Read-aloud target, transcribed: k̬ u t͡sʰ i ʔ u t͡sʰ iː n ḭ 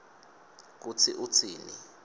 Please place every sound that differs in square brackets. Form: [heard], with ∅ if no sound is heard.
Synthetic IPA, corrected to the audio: k̬ u t͡sʰ i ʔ u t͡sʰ iː n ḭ

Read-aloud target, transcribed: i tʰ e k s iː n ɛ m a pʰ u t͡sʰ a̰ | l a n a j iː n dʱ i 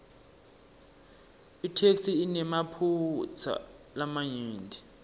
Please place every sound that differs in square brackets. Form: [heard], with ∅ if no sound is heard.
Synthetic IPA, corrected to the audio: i tʰ e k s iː n ɛ m a pʰ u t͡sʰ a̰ | l a [m] a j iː n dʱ i

